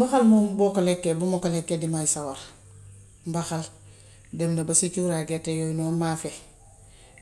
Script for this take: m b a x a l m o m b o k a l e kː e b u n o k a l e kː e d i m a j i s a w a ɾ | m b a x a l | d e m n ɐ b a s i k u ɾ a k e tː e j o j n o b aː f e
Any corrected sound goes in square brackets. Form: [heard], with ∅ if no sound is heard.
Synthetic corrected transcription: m b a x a l m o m b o k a l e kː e b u [m] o k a l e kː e d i m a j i s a w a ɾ | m b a x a l | d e m n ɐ b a s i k u ɾ a [ɡ] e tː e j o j n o [m] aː f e